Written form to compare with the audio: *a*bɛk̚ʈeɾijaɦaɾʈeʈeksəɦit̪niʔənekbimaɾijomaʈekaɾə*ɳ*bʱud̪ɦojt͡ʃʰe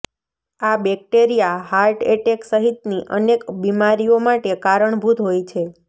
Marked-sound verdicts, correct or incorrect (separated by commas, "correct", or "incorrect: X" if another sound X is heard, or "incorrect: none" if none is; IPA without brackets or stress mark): correct, correct